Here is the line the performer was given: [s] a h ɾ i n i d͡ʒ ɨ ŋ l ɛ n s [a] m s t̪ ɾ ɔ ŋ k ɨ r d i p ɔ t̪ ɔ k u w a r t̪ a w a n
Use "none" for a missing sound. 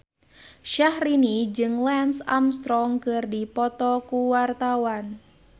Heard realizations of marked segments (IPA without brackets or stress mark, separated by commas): ʃ, a